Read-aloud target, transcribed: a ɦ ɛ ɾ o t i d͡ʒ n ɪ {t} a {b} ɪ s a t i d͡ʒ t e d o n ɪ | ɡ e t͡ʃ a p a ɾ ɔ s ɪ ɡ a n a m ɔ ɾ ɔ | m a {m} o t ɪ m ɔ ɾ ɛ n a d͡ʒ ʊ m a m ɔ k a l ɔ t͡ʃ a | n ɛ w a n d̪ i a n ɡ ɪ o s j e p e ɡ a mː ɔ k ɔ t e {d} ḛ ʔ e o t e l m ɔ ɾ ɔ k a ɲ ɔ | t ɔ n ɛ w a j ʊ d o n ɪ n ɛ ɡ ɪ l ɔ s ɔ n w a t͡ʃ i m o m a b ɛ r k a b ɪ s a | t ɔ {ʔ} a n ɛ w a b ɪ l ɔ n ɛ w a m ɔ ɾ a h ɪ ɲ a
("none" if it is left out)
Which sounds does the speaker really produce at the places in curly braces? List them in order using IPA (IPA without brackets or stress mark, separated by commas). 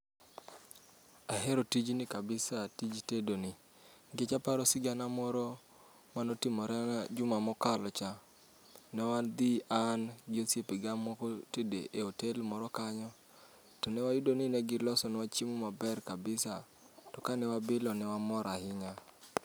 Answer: k, b, n, d, k